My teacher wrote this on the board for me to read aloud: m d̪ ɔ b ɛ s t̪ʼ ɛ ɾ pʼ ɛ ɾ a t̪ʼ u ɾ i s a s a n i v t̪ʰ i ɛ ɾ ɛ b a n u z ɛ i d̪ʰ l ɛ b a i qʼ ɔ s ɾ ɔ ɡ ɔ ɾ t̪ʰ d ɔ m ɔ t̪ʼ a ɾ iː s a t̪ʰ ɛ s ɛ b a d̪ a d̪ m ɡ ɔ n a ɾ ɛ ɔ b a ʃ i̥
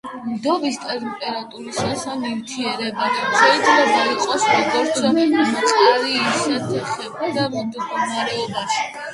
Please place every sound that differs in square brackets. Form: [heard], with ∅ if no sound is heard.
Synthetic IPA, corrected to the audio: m d̪ ɔ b [i] s t̪ʼ ɛ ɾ pʼ ɛ ɾ a t̪ʼ u ɾ i s a s a n i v t̪ʰ i ɛ ɾ ɛ b a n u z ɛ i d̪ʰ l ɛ b a i qʼ ɔ s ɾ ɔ ɡ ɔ ɾ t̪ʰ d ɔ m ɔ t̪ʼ a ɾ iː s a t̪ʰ ɛ [χ] ɛ b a d̪ a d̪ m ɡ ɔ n a ɾ ɛ ɔ b a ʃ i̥